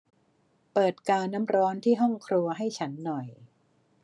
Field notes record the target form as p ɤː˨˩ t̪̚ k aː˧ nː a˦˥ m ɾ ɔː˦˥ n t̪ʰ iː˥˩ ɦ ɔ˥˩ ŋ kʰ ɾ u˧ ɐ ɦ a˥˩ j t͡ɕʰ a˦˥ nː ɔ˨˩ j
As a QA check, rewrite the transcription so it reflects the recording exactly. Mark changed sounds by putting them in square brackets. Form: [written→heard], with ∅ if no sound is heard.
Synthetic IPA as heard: p ɤː˨˩ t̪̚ k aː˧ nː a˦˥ m ɾ ɔː˦˥ n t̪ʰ iː˥˩ ɦ ɔ˥˩ ŋ kʰ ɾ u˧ ɐ ɦ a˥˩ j t͡ɕʰ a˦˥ nː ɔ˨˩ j